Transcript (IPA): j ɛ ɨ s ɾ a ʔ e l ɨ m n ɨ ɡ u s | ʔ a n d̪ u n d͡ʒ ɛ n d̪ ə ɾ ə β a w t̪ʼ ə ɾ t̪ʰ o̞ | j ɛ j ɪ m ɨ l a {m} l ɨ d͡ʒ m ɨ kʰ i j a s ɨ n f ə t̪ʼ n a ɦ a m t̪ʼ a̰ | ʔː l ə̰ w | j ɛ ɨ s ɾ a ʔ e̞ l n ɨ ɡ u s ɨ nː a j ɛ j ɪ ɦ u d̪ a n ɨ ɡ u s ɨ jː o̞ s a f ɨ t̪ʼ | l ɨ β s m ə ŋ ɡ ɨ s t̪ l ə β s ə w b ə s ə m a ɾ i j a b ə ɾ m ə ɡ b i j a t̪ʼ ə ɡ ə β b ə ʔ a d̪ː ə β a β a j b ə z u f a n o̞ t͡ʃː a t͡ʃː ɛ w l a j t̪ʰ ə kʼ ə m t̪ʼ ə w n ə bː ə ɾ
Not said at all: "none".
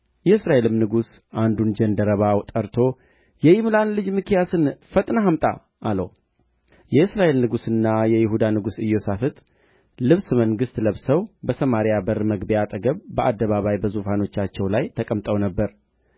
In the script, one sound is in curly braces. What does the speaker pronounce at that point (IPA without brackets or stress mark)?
n